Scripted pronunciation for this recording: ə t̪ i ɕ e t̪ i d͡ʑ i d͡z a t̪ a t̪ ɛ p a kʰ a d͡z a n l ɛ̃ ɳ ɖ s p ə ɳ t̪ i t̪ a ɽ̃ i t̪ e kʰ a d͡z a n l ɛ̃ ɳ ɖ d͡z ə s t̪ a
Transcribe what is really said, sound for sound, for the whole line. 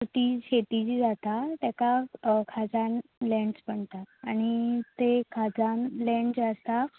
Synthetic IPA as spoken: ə t̪ i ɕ e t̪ i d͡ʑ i d͡z a t̪ a t̪ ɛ k a kʰ a d͡z a n l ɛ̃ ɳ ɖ s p ə ɳ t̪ a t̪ a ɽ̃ i t̪ e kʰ a d͡z a n l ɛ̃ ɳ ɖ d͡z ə s t̪ a